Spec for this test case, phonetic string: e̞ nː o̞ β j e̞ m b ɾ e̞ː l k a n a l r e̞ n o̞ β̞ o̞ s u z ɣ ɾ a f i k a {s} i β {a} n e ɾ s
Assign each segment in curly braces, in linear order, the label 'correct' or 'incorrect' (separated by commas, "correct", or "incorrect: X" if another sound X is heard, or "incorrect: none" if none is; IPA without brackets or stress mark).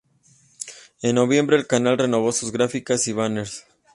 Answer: correct, correct